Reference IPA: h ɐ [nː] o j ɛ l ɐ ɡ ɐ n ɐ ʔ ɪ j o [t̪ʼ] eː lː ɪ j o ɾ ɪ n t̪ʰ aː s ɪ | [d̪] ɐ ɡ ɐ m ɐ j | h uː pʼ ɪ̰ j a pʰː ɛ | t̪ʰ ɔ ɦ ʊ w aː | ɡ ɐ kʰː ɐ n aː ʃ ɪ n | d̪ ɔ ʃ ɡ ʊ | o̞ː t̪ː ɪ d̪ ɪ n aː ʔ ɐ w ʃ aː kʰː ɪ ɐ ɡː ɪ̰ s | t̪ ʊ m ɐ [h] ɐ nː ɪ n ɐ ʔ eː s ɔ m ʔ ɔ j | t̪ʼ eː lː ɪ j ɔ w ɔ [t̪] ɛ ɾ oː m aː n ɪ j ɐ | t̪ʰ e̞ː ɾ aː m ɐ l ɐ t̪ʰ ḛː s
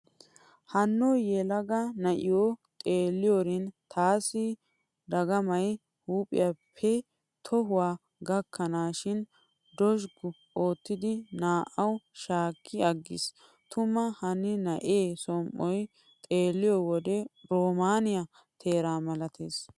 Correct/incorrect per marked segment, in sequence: correct, correct, correct, correct, incorrect: d̪

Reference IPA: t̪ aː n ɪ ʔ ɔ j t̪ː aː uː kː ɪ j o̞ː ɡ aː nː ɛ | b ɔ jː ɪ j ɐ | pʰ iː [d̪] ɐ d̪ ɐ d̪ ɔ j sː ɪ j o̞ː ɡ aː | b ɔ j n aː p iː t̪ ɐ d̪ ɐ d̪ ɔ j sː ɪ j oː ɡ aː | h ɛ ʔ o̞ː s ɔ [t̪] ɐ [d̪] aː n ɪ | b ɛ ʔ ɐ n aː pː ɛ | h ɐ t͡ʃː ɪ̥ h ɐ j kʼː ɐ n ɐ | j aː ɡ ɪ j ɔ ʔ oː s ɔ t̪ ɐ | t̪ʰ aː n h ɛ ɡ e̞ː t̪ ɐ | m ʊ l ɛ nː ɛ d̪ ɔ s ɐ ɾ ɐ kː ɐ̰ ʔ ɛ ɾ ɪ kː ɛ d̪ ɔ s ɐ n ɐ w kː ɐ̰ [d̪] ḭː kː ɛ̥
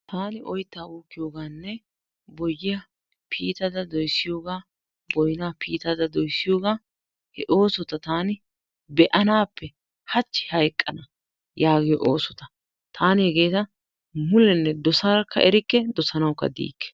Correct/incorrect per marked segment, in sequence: incorrect: t̪, correct, incorrect: t̪, correct

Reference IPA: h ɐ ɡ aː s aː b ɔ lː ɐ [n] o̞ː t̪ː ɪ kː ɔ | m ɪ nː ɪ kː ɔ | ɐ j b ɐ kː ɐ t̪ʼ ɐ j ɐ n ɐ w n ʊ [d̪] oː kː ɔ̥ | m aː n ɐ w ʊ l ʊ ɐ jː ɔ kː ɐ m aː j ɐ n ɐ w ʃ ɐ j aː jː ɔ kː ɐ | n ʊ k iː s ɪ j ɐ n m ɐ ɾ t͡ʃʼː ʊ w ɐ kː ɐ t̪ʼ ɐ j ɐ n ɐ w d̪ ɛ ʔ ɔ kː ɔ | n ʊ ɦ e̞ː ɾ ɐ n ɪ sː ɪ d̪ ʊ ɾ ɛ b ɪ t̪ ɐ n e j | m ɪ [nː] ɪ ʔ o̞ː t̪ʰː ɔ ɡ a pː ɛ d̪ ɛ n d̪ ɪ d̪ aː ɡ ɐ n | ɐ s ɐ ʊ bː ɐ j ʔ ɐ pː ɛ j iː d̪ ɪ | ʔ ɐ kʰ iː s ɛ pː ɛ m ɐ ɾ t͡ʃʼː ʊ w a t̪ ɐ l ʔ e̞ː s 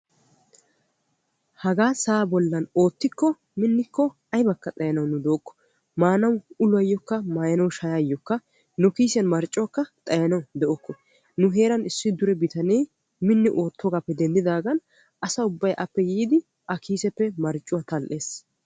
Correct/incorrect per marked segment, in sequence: correct, correct, correct

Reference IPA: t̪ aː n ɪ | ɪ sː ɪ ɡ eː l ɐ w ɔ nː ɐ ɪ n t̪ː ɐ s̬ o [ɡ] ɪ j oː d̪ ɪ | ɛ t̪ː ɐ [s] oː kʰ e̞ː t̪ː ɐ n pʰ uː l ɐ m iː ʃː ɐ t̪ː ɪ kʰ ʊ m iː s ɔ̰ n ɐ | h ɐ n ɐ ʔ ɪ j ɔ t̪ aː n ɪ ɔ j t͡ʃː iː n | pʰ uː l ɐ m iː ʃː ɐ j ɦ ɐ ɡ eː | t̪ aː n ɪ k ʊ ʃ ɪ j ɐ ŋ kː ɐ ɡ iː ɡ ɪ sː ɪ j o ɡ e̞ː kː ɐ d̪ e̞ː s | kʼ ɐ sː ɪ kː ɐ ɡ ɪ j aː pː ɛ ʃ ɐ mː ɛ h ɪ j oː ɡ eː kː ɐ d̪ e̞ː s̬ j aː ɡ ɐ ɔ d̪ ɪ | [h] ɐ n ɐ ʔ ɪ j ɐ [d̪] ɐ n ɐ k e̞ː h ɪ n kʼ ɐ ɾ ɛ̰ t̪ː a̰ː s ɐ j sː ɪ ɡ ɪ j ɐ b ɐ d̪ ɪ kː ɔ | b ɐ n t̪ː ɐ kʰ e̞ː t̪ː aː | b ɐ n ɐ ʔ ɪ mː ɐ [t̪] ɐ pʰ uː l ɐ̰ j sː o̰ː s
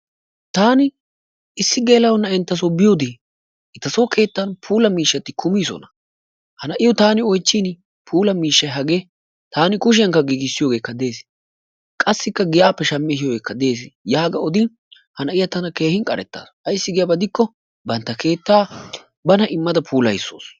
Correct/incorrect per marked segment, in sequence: incorrect: b, correct, correct, incorrect: t̪, incorrect: d̪

